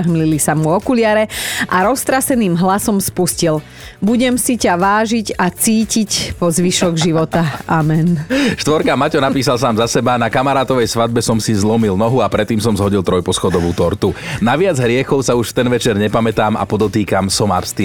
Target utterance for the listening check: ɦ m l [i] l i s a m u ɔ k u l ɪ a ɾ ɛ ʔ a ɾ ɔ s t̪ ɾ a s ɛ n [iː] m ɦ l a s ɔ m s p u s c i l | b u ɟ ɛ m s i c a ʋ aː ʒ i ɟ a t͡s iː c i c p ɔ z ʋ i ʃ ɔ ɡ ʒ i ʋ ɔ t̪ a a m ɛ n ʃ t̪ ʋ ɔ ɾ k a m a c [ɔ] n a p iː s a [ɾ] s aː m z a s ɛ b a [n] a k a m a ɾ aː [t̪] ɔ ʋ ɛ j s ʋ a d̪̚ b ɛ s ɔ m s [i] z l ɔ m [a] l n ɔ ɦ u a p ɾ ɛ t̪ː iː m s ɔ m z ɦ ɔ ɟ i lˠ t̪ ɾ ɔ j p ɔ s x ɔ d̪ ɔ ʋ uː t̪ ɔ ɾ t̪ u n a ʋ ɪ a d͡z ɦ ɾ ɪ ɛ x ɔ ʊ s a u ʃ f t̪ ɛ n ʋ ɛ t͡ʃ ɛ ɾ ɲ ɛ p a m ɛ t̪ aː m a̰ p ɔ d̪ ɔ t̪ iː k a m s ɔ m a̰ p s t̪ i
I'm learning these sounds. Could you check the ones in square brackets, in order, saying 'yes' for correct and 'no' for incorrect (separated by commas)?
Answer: yes, yes, yes, no, yes, yes, yes, no